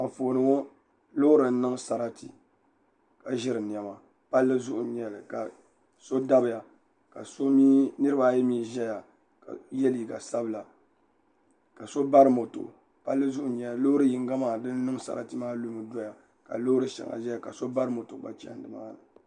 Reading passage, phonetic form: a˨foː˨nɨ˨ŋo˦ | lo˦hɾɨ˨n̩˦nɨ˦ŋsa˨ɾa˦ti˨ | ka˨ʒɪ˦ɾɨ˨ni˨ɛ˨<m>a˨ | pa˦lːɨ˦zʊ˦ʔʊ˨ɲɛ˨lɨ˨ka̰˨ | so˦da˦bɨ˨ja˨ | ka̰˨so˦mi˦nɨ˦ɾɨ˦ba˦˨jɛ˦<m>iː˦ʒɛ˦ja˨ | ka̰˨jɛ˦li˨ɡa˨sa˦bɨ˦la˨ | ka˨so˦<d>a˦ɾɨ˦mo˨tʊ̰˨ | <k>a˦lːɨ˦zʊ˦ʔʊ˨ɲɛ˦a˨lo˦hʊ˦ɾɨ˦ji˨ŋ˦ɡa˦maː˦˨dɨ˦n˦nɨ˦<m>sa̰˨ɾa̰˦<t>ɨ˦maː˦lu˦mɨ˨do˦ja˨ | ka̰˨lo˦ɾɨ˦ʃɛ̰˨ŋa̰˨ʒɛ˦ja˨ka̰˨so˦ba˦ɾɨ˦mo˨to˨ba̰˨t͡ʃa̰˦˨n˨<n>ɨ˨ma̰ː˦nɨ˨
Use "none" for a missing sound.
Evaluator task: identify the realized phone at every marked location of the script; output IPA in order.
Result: m, m, b, p, ŋ, t, d

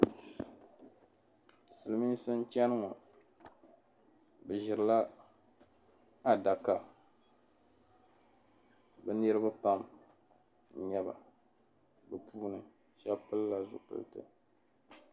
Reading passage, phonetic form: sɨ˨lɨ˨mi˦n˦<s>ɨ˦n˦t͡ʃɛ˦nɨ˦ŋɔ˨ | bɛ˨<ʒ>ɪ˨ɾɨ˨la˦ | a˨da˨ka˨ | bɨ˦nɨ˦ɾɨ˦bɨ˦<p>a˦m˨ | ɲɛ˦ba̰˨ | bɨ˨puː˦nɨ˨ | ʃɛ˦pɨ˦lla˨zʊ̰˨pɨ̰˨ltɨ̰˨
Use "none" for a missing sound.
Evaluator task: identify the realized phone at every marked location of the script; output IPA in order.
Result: s, ʒ, p

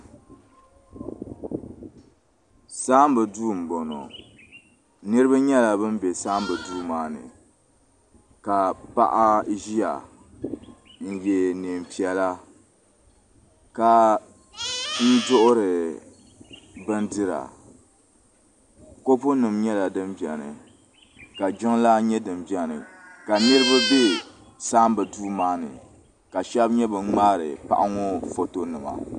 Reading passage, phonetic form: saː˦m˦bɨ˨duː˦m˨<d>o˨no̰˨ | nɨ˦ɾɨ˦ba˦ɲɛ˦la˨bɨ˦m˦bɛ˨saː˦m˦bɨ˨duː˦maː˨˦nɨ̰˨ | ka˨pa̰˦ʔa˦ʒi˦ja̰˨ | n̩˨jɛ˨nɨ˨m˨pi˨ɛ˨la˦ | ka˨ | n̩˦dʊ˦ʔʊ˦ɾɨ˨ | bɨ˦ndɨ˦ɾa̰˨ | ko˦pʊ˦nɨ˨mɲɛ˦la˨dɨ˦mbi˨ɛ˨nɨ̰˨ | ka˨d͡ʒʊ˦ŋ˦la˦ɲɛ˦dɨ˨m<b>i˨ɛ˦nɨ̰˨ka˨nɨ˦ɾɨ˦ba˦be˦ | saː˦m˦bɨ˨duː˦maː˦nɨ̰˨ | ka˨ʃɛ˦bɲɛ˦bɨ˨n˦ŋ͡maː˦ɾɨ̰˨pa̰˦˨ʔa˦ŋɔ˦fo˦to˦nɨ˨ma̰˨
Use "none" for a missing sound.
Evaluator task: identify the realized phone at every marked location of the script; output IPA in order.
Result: b, b

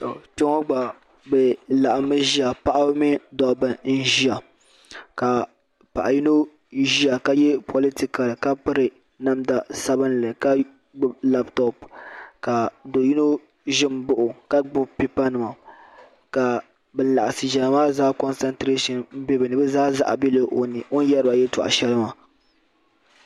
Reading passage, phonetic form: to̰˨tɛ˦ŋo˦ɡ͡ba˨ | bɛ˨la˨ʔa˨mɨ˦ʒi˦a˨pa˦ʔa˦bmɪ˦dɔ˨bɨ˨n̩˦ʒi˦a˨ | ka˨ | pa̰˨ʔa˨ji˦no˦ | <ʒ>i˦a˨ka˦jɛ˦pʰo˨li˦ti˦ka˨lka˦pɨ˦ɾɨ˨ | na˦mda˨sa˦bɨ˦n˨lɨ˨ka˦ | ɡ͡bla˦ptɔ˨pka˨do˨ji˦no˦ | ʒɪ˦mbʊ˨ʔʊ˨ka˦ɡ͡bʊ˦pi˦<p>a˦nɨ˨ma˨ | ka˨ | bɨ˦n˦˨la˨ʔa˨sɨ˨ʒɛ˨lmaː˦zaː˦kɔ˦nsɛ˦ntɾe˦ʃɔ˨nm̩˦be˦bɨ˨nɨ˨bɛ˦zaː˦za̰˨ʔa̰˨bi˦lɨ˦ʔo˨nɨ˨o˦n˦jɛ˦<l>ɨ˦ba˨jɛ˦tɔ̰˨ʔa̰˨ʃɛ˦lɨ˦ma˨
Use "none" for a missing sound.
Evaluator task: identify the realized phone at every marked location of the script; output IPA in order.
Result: ʒ, p, ɾ

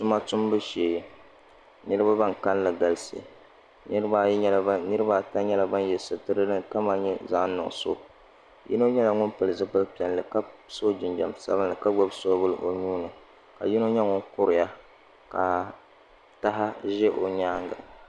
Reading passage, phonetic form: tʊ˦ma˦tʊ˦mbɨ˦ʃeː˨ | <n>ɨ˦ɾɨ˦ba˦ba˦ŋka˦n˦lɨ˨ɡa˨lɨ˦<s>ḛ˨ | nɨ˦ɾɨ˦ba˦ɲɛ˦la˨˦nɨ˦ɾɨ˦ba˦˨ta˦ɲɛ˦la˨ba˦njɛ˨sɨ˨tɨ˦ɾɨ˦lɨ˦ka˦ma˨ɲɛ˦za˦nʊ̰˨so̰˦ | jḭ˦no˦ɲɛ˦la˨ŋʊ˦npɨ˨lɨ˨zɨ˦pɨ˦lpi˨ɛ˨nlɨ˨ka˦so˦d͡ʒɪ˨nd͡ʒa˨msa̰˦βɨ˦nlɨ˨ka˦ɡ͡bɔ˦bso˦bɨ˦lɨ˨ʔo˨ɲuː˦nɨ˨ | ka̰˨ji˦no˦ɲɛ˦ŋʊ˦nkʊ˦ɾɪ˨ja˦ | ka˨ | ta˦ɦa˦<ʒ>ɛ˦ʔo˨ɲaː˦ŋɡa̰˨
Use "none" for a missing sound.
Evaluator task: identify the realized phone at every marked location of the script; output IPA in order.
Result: n, s, ʒ

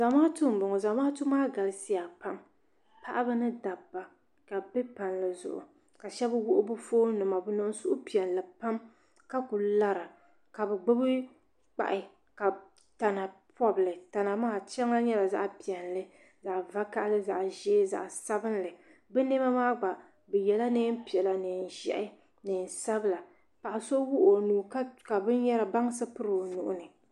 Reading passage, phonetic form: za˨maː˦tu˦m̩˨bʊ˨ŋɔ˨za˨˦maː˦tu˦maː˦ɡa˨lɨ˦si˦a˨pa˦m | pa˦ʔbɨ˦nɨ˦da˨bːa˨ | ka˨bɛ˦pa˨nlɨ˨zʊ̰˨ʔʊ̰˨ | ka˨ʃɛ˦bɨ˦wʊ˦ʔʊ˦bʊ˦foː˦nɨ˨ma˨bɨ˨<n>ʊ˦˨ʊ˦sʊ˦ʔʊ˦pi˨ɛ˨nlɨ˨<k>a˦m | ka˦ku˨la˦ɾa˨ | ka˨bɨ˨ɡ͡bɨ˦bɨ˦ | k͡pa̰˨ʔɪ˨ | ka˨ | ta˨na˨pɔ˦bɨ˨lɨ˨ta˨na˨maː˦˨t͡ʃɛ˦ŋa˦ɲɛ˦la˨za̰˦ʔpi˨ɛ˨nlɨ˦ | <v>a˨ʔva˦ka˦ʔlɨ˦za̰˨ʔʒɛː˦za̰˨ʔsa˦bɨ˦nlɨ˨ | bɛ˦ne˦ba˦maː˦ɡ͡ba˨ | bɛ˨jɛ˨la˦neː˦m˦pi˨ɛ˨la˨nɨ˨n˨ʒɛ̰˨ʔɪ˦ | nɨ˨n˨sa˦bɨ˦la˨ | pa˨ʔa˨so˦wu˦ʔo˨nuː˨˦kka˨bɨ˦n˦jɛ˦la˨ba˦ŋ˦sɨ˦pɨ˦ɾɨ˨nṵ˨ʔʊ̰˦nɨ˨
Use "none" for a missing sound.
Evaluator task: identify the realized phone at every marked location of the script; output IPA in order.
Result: n, p, z

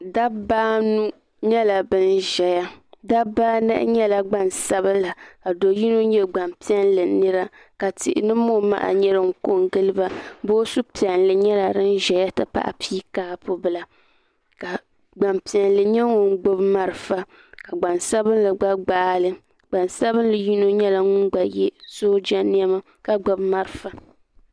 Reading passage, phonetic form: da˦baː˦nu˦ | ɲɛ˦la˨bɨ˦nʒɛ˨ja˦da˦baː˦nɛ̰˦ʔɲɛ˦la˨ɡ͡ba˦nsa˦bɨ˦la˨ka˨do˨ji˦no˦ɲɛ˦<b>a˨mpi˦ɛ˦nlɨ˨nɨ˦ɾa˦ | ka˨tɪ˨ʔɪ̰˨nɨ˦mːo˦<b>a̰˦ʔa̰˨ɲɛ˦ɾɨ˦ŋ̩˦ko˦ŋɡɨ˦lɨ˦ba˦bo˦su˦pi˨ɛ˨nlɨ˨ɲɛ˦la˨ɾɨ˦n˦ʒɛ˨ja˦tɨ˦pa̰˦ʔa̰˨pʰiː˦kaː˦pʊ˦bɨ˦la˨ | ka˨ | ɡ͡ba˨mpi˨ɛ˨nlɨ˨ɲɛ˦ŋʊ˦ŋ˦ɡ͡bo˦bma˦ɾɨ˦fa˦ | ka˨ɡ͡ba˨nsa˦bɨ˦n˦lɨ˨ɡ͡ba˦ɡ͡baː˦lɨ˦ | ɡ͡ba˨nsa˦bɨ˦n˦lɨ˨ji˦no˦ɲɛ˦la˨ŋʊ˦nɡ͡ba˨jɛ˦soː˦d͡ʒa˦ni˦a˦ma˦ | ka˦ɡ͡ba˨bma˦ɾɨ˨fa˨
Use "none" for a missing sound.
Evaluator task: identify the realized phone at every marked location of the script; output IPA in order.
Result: ɡ͡b, m

